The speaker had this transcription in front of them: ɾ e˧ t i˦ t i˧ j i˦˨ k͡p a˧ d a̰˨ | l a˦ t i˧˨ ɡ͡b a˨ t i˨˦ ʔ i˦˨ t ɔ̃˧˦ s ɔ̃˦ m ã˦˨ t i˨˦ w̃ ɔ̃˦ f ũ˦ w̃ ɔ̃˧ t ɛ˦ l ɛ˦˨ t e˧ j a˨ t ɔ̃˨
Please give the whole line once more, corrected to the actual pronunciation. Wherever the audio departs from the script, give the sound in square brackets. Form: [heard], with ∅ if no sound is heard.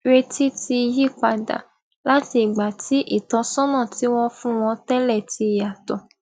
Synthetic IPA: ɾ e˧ t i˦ t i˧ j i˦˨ k͡p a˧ d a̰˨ | l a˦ t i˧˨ ɡ͡b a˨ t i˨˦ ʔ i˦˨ t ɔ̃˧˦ s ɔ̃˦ [n] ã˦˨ t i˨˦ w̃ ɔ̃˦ f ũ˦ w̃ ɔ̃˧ t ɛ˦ l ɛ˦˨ t [i˧] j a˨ t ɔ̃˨